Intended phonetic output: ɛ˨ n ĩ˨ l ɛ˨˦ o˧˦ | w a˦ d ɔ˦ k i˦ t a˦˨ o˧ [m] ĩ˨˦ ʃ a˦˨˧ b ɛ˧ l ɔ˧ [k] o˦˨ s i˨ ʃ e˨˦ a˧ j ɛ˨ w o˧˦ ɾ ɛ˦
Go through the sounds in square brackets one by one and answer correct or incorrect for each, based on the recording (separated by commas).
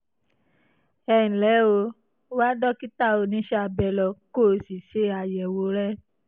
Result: incorrect, correct